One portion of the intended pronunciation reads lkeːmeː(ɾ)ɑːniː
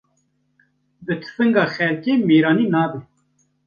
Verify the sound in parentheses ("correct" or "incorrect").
correct